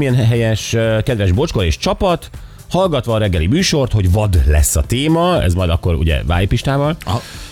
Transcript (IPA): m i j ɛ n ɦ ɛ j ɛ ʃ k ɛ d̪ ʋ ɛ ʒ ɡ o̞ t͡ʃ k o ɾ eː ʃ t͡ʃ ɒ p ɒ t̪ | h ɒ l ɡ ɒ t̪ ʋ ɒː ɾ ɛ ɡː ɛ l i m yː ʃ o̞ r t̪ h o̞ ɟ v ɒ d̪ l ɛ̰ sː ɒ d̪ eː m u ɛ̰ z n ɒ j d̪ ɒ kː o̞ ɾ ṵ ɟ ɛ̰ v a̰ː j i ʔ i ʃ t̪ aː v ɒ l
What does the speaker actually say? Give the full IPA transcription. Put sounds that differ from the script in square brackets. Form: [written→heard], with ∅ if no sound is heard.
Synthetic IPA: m i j ɛ n ɦ ɛ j ɛ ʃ k ɛ d̪ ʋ ɛ ʒ [ɡ→b] o̞ t͡ʃ k o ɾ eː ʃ t͡ʃ ɒ p ɒ t̪ | h ɒ l ɡ ɒ t̪ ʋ ɒː ɾ ɛ ɡː ɛ l i m yː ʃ o̞ r t̪ h o̞ ɟ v ɒ d̪ l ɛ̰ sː ɒ [d̪→t̪] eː m [u→ɒ] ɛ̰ z [n→m] ɒ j d̪ ɒ kː o̞ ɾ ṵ ɟ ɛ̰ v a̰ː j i [ʔ→p] i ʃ t̪ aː v ɒ l